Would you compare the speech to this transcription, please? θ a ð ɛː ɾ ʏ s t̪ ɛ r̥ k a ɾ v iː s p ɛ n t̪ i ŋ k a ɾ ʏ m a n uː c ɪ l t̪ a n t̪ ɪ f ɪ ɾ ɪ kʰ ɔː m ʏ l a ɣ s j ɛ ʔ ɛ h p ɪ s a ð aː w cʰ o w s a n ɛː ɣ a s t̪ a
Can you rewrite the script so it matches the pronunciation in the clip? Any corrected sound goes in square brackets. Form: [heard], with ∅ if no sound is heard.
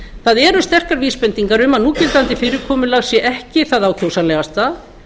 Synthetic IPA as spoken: θ a ð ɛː ɾ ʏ s t̪ ɛ r̥ k a ɾ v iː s p ɛ n t̪ i ŋ k a ɾ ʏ m a n uː c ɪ l t̪ a n t̪ ɪ f ɪ ɾ ɪ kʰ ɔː m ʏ l a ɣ s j ɛ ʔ ɛ h [c] ɪ [θ] a ð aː w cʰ o w s a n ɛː ɣ a s t̪ a